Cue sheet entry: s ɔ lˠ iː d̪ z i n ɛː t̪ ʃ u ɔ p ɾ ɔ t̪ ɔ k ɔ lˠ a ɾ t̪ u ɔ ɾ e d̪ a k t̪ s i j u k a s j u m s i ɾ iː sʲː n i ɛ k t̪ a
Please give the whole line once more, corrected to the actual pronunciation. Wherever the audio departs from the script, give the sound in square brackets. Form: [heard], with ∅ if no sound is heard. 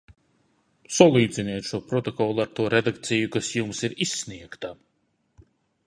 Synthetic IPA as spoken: s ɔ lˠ iː d̪ z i n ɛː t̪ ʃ u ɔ p ɾ ɔ t̪ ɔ k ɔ lˠ a ɾ t̪ u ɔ ɾ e d̪ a k t̪ s i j u k a s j u m s i ɾ [i] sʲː n i ɛ k t̪ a